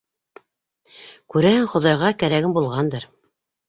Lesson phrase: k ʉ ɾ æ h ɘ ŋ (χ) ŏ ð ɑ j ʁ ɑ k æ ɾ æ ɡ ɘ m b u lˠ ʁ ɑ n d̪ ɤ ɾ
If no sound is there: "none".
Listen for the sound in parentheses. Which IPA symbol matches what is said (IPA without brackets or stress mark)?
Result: χ